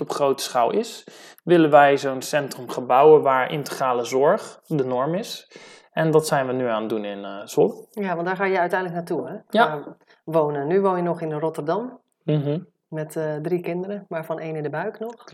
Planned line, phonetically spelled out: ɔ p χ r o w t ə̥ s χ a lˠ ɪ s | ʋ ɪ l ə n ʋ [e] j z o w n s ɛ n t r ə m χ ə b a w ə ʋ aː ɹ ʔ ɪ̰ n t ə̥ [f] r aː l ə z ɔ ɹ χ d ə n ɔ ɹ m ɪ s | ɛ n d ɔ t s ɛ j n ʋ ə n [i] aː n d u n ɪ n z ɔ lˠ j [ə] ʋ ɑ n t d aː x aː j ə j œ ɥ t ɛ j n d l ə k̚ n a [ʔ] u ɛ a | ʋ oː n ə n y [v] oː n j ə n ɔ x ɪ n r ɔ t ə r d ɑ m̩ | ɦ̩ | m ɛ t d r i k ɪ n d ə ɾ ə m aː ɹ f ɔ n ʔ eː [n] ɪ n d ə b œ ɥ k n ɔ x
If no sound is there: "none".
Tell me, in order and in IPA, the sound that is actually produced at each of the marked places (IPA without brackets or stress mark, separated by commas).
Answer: ɛ, χ, y, a, t, ʋ, n